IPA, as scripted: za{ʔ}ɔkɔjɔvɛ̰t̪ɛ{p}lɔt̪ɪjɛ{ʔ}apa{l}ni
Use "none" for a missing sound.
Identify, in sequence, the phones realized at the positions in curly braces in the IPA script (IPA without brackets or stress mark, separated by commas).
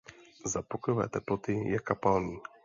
p, p, k, l